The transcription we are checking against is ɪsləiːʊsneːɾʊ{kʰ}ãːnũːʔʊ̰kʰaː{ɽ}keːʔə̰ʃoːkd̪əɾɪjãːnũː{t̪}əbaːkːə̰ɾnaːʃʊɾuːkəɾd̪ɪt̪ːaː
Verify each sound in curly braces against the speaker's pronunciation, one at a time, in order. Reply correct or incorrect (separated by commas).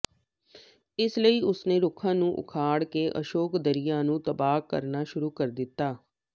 correct, correct, correct